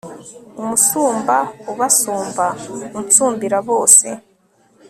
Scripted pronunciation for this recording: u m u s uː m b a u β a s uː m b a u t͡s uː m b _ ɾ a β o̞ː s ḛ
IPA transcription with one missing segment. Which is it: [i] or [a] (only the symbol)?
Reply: i